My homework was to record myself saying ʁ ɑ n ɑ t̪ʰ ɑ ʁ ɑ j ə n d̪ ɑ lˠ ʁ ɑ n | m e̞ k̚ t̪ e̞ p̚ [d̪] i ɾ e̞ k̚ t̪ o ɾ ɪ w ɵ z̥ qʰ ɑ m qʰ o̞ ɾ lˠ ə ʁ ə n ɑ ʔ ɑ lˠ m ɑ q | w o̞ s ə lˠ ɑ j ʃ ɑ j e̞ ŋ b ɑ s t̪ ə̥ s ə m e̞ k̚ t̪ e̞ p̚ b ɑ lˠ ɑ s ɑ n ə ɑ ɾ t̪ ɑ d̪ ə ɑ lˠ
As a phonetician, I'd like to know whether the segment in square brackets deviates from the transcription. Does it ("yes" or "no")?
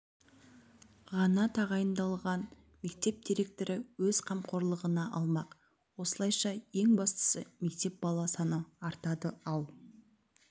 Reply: no